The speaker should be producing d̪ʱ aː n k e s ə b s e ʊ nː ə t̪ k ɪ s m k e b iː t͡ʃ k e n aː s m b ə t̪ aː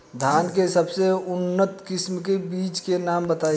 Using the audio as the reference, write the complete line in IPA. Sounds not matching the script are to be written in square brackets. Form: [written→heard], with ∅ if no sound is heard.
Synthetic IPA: d̪ʱ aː n k e s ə b s e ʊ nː ə t̪ k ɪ s m k e b iː t͡ʃ k e n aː [s→∅] m b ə t̪ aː